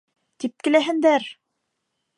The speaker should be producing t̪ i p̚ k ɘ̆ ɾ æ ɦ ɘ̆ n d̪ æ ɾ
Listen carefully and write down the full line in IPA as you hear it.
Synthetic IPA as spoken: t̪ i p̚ k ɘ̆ l æ ɦ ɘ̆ n d̪ æ ɾ